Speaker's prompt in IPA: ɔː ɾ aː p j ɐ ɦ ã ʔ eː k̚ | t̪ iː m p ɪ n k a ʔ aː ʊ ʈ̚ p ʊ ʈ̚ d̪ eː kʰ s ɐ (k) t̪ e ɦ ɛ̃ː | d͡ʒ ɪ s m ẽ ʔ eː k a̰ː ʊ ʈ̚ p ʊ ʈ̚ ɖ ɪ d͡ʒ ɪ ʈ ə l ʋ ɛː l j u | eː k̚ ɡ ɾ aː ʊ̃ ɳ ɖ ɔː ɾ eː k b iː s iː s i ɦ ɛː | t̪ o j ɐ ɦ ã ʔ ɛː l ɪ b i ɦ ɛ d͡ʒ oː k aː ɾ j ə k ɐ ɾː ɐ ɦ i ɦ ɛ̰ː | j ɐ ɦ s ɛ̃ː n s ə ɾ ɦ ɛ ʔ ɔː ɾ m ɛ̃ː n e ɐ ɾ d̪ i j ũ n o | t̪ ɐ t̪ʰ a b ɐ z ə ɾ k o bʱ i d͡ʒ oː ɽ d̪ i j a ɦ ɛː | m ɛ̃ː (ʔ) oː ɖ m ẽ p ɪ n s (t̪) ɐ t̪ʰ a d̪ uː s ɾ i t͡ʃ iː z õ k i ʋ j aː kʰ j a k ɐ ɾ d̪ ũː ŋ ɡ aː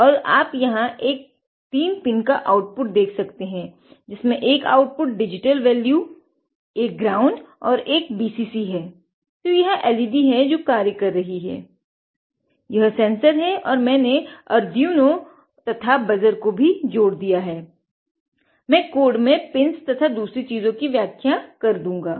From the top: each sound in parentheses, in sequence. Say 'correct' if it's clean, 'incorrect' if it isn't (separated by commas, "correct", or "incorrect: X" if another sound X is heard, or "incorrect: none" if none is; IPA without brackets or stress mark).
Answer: correct, incorrect: k, correct